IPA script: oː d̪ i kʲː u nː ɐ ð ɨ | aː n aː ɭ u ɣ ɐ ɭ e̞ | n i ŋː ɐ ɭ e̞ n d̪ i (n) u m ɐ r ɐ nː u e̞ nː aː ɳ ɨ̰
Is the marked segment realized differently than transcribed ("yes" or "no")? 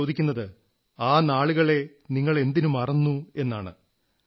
no